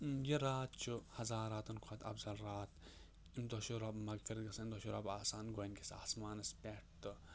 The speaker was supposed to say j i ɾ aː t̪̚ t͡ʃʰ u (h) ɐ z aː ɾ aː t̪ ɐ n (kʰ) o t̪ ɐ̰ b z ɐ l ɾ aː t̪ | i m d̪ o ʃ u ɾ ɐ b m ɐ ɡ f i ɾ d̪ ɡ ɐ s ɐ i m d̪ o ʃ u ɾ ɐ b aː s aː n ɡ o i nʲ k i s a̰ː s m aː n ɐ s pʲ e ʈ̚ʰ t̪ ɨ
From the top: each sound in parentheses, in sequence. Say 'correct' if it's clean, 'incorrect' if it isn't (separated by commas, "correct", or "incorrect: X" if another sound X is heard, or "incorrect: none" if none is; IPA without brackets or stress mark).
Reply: correct, correct